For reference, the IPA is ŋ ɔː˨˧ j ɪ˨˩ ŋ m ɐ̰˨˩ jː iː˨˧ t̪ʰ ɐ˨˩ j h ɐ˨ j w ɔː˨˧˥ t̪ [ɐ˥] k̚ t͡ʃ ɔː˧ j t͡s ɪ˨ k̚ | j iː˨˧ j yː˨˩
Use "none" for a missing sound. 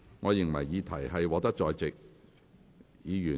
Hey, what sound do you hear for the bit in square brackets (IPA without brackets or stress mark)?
ɐ˥